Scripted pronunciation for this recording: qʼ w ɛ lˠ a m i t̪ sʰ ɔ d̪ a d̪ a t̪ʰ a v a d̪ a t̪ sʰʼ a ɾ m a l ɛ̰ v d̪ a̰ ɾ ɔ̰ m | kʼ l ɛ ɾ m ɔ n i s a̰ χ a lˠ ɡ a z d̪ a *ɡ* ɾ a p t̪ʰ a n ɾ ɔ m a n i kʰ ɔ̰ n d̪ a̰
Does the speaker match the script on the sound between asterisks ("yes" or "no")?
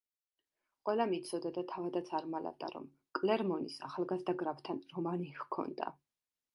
yes